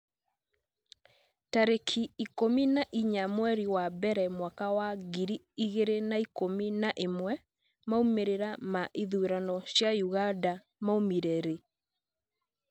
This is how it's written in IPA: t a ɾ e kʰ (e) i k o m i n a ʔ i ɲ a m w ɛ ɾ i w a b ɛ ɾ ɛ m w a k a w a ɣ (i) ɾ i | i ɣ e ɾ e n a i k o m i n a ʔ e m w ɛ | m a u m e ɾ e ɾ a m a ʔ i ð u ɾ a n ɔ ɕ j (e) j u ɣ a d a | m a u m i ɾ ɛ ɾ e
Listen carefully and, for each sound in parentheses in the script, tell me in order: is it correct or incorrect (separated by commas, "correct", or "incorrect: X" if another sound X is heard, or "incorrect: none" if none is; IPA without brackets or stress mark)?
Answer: incorrect: i, correct, incorrect: a